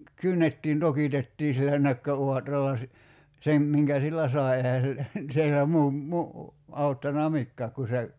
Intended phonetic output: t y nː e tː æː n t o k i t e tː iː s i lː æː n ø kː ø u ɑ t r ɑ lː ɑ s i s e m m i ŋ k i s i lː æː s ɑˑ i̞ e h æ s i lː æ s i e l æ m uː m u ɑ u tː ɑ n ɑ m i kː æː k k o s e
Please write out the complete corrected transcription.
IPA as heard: k y nː e tː iː n t o k i t e tː iː s i lː æ n ø kː ø u ɑ t r ɑ lː ɑ s i s e m m i ŋ k æ s i lː æ s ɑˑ i̞ e h æ s i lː æ s i e l æ m uː m u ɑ u tː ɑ n ɑ m i kː æː k k u s e